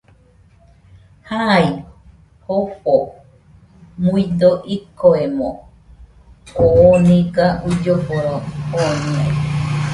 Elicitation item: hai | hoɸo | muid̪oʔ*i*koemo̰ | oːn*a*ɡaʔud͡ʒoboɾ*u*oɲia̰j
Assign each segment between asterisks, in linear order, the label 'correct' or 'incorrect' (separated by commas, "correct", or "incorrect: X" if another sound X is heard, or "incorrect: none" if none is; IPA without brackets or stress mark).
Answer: correct, incorrect: i, incorrect: o